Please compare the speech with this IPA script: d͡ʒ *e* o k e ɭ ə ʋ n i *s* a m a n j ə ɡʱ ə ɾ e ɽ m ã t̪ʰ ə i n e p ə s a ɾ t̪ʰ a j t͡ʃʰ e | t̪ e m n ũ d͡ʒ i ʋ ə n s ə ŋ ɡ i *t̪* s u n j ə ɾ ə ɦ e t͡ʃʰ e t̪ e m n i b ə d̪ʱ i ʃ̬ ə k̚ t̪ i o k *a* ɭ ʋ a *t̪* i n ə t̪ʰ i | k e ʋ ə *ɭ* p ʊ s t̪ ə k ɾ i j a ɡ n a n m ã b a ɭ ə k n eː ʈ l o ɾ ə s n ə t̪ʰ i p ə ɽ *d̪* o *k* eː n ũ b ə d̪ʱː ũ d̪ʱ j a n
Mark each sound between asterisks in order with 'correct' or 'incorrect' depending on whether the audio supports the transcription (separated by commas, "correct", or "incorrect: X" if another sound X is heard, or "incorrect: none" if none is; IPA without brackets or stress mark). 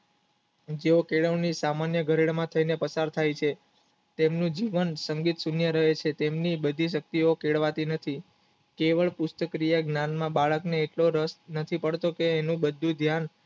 correct, correct, correct, incorrect: e, correct, correct, incorrect: t̪, correct